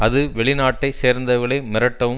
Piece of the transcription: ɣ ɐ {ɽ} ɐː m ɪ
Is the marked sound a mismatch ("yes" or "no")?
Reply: yes